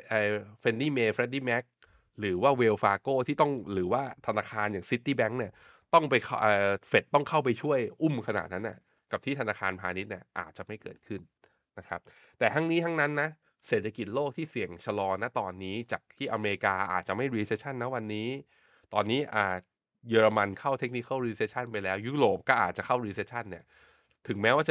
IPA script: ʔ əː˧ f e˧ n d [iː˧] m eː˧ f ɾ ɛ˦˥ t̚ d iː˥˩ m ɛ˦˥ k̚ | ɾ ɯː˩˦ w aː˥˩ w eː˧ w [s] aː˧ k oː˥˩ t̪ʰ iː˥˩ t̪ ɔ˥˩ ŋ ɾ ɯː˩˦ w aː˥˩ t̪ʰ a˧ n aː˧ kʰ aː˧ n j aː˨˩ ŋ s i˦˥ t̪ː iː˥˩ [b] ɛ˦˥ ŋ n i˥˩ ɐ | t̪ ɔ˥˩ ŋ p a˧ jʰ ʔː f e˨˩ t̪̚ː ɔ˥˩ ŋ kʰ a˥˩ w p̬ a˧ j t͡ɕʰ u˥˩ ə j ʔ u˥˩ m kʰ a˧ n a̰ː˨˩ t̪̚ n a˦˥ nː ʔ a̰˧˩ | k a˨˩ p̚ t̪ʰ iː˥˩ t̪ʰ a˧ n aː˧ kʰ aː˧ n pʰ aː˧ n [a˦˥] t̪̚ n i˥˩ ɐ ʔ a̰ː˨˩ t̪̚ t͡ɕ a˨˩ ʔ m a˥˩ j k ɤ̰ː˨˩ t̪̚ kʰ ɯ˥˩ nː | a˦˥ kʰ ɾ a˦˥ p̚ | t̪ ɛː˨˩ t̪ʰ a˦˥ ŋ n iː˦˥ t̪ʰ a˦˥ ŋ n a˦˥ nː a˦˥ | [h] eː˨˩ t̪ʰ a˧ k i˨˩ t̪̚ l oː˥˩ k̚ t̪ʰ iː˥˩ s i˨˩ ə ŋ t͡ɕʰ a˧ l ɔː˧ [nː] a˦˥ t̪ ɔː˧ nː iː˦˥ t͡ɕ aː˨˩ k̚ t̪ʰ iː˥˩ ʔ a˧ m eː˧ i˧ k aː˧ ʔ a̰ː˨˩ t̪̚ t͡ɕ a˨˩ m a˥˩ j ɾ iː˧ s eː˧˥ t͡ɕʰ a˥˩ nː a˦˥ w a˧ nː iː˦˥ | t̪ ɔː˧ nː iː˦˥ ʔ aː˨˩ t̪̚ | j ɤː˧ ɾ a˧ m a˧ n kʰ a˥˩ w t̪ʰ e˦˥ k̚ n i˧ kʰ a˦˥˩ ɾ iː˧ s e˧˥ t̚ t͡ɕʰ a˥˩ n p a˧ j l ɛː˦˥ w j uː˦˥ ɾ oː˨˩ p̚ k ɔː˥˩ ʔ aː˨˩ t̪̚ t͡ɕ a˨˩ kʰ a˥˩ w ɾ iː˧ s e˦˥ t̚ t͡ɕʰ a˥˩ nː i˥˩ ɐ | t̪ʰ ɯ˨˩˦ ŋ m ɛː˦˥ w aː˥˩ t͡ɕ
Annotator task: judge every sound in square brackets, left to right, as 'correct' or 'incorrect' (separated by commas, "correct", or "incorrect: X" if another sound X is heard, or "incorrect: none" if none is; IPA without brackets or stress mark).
incorrect: iː˥˩, incorrect: f, correct, incorrect: i˦˥, incorrect: s, incorrect: n